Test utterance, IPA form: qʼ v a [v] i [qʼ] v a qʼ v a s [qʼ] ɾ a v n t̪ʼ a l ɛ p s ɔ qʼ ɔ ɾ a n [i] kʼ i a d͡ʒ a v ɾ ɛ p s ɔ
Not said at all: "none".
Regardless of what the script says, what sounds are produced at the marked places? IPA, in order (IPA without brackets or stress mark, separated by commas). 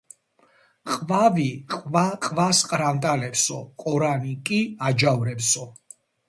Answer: v, qʼ, qʼ, i